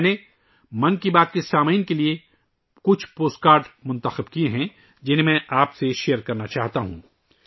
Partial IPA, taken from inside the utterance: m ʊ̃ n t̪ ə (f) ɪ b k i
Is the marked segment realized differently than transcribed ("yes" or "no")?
yes